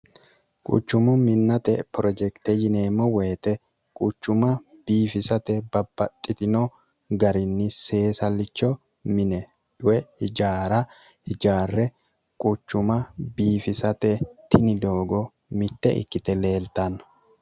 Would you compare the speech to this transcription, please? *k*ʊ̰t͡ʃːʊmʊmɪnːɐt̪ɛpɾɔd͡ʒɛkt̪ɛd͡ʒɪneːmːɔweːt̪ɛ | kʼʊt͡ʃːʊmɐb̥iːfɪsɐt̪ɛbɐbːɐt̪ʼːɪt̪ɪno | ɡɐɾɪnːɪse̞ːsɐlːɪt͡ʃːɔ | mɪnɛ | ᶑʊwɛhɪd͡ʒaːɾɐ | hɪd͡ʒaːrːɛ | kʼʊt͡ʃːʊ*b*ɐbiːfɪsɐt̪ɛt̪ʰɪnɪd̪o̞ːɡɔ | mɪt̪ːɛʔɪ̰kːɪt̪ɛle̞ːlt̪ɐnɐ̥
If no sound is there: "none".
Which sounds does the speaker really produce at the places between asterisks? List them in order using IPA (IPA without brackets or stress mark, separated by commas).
kʼ, m